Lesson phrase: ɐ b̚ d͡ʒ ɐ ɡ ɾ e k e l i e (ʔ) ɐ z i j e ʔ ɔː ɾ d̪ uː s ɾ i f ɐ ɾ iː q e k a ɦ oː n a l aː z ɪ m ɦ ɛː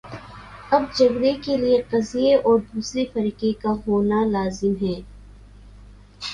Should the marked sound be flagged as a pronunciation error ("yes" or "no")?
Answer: yes